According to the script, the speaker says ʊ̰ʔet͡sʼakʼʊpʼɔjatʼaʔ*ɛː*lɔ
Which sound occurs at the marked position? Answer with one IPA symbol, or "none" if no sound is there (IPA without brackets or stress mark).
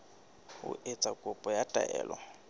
ɛː